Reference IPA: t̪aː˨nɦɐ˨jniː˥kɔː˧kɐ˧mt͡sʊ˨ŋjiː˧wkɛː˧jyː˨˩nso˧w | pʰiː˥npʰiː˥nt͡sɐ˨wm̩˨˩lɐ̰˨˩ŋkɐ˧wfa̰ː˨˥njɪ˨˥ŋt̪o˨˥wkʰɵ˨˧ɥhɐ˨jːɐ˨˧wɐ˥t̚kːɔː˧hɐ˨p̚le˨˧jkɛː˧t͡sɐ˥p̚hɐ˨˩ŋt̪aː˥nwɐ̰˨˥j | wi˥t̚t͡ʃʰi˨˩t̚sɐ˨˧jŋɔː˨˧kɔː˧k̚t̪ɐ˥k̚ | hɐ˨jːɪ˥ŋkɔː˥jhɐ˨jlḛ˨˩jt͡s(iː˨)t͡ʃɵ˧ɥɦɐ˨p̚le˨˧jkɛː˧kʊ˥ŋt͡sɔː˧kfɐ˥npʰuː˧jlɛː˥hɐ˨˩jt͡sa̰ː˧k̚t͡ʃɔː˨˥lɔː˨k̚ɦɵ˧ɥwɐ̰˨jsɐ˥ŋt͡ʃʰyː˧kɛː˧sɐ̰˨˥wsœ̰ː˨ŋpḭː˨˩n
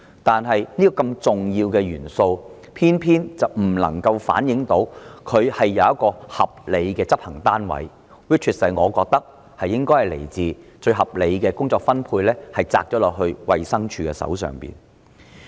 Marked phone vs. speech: correct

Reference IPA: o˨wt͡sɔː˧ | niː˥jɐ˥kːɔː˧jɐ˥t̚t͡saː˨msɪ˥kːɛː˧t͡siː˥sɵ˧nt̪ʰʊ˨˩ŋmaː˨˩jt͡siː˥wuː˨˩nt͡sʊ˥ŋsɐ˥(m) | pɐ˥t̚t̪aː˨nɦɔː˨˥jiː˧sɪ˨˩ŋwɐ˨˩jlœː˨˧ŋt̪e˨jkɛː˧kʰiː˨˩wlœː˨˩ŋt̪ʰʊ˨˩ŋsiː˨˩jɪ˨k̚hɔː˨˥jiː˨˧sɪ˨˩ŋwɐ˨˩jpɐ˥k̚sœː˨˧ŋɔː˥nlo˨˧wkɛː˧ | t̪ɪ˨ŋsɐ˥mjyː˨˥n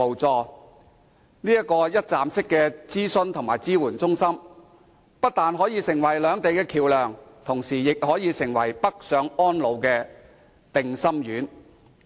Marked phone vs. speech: correct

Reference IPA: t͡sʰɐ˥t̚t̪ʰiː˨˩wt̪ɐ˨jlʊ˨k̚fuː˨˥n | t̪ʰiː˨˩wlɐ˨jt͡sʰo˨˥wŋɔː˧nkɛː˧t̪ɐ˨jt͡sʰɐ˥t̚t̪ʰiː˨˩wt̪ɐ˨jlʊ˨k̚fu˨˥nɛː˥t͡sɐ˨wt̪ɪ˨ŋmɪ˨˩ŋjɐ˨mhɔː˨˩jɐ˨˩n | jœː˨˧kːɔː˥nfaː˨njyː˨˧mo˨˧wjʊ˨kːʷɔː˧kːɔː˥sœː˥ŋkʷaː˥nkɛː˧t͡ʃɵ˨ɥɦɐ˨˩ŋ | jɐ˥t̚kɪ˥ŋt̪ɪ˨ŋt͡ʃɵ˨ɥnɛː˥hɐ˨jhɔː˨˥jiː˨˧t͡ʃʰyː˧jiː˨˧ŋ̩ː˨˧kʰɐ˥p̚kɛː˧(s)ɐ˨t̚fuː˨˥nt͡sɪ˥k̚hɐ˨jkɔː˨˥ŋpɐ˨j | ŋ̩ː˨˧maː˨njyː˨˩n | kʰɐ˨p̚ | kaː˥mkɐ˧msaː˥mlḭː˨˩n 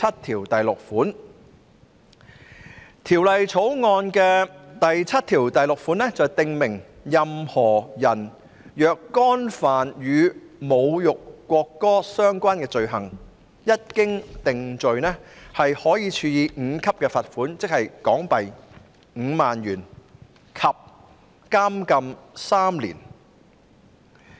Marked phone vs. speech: incorrect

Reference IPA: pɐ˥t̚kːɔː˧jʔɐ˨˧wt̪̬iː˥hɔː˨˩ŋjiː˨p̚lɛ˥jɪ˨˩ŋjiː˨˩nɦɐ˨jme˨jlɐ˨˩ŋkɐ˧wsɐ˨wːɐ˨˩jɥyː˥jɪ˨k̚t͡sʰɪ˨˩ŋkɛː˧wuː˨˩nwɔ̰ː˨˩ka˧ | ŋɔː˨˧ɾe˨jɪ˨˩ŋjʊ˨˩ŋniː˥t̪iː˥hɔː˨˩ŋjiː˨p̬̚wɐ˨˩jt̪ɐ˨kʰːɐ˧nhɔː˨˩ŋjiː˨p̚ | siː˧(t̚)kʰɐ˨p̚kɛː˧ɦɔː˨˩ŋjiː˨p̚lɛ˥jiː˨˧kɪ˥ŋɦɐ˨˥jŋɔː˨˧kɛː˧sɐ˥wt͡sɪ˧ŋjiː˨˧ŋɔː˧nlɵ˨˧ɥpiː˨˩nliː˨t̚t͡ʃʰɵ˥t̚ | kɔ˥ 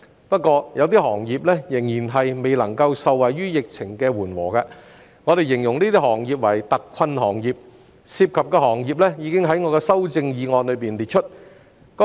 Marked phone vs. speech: incorrect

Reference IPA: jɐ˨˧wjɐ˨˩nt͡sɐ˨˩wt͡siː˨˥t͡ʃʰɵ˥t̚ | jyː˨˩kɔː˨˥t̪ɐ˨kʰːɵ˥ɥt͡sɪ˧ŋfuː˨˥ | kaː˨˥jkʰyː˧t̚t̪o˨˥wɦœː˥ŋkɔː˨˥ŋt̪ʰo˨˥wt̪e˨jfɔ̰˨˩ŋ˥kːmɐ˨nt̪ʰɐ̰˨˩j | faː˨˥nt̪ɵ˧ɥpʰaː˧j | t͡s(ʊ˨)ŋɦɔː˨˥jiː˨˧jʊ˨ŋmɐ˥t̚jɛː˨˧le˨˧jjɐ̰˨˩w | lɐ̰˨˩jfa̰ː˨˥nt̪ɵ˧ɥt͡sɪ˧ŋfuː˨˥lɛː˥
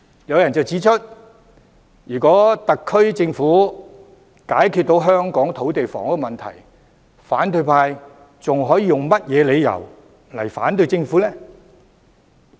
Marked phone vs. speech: correct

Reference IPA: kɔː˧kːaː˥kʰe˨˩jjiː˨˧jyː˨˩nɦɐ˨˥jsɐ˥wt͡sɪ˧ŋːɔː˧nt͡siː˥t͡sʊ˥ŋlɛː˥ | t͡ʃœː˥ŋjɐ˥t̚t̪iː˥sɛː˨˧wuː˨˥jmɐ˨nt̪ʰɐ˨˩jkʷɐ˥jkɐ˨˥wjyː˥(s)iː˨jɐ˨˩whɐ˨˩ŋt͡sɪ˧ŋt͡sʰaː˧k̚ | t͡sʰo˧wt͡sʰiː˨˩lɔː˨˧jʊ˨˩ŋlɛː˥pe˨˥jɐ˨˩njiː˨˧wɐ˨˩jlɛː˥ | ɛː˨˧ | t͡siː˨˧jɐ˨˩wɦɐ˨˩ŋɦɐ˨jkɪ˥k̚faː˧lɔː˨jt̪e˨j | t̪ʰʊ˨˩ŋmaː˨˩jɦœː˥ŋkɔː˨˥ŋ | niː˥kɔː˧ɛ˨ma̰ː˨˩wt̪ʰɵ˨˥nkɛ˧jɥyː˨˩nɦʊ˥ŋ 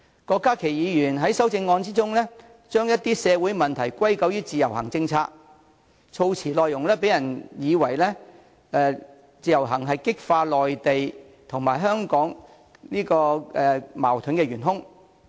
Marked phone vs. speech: incorrect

